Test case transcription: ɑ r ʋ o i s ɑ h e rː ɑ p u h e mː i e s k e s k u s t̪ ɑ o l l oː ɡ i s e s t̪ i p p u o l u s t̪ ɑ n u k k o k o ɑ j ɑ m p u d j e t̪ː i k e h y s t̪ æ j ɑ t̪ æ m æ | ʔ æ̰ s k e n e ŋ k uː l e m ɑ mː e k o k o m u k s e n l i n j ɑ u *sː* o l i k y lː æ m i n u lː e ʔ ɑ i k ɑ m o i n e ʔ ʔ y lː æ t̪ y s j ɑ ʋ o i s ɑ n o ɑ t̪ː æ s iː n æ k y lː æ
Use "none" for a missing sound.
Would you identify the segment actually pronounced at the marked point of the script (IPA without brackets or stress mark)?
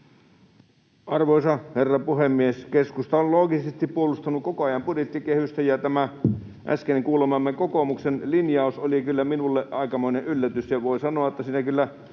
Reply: s